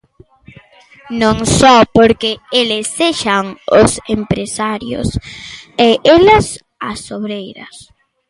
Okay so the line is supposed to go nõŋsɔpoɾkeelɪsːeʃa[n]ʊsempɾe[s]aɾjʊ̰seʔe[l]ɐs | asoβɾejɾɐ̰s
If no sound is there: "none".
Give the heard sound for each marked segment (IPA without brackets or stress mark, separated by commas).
ŋ, s, l